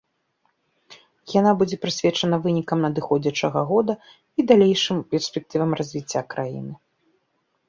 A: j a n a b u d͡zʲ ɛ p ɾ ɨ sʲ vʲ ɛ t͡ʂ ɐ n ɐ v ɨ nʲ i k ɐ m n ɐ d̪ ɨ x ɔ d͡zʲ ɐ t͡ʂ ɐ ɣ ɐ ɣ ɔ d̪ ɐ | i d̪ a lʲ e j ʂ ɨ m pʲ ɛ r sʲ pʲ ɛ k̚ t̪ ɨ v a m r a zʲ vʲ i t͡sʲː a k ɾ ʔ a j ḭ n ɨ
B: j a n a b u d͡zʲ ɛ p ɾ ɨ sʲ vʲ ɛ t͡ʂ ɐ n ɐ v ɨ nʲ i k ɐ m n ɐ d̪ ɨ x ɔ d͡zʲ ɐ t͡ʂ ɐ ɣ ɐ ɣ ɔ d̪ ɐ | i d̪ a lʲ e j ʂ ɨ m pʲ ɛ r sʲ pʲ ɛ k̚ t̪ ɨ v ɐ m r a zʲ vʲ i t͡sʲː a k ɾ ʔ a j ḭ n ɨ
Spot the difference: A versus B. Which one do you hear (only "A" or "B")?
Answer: B